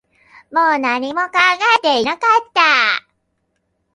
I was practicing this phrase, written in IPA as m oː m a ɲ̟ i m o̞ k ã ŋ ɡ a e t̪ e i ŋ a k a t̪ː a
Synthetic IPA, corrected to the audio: m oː n a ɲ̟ i m o̞ k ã ŋ ɡ a e t̪ e i n a k a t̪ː a